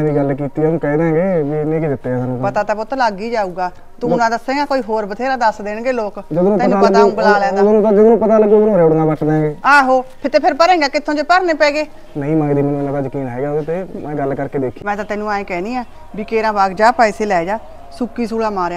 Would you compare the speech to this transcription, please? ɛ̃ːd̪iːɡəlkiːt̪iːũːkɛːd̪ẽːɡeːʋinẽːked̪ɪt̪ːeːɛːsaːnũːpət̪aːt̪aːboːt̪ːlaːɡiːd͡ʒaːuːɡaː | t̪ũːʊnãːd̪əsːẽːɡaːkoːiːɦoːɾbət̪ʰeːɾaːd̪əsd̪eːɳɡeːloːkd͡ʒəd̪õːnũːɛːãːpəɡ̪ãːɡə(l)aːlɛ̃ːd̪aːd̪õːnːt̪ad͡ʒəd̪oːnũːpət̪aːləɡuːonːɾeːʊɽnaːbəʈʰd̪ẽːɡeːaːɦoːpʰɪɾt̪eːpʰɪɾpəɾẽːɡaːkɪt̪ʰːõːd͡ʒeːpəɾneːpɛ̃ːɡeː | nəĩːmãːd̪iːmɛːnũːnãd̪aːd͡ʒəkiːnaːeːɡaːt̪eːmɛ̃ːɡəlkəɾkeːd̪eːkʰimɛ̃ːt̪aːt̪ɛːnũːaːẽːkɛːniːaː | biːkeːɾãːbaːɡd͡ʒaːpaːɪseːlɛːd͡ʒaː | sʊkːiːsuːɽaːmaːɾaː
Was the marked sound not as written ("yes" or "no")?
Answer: no